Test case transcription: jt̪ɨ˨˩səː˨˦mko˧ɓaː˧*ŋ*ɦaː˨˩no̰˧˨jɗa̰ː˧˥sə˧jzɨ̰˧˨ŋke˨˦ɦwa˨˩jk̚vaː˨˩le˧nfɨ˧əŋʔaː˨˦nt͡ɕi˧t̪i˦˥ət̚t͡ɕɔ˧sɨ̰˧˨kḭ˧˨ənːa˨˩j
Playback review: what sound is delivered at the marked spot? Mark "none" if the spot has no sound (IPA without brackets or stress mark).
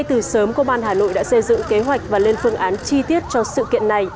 n